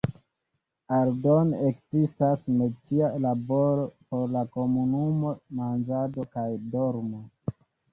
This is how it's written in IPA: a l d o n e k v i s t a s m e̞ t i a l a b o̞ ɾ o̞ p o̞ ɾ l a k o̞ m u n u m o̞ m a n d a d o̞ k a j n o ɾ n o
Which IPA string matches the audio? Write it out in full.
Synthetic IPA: a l d o n e k z i s t a s m e̞ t i a l a b o̞ ɾ o̞ p o̞ ɾ l a k o̞ m u n u m o̞ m a n d͡ʒ a d o̞ k a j d o ɾ m o